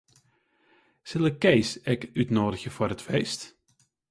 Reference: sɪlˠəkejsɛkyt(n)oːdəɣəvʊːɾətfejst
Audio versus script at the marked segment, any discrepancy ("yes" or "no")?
no